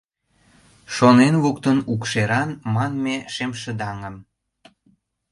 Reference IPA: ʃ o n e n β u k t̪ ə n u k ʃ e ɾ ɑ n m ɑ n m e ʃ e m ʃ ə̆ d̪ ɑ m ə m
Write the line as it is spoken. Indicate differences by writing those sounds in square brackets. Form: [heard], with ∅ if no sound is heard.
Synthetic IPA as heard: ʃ o n e n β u k t̪ ə n u k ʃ e ɾ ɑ n m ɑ n m e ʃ e m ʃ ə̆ d̪ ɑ [ŋ] ə m